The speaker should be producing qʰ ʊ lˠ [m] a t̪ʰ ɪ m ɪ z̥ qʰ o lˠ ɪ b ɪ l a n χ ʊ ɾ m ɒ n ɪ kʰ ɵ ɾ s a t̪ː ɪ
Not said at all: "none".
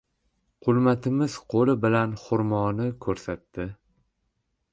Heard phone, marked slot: m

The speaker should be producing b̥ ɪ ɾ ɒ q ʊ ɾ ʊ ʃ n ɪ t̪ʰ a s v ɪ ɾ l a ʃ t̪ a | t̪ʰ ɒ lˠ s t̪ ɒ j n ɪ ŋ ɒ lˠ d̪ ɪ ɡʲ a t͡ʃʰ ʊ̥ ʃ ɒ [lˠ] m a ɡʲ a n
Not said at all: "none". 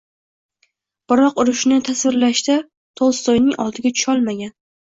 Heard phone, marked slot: lˠ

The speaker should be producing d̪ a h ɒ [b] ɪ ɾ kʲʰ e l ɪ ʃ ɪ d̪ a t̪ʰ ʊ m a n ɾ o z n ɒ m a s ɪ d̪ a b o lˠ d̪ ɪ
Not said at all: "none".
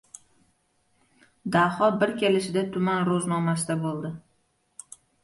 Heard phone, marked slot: b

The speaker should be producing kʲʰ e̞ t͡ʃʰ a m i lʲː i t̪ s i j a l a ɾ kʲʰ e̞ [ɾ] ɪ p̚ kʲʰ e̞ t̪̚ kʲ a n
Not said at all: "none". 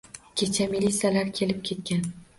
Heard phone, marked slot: l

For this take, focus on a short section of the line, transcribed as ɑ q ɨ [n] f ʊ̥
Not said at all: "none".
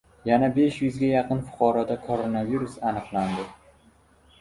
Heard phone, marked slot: n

